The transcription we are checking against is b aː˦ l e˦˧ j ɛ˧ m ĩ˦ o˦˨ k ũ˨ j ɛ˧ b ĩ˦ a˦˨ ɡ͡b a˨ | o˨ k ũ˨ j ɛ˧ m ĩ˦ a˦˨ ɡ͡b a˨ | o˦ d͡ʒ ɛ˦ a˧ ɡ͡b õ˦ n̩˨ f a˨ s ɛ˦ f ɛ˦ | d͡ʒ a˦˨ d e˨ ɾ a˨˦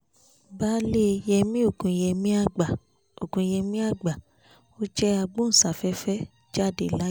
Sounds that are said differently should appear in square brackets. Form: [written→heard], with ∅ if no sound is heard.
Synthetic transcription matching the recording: b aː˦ l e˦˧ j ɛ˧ m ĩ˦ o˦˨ k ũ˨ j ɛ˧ [b→m] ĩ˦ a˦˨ ɡ͡b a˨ | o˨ k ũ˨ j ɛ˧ m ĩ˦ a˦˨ ɡ͡b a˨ | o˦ d͡ʒ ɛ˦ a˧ ɡ͡b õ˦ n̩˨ [f→s] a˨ [s→f] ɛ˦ f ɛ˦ | d͡ʒ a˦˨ d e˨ [ɾ→l] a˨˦